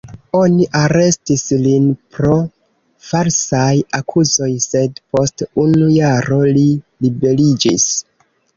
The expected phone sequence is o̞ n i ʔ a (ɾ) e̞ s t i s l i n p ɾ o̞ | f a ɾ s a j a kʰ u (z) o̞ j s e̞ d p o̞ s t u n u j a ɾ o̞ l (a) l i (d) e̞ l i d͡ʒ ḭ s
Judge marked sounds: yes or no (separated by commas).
yes, yes, no, no